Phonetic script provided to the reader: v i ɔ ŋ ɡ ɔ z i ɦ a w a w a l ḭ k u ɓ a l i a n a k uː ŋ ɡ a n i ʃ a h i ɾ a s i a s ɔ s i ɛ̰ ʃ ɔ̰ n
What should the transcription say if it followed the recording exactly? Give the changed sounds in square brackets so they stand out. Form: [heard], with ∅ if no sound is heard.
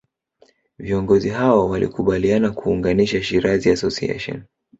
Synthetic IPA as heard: v i ɔ ŋ ɡ ɔ z i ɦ a w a w a l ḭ k u ɓ a l i a n a k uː ŋ ɡ a n i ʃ a [ʃ] i ɾ a [z] i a s ɔ s i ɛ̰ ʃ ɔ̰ n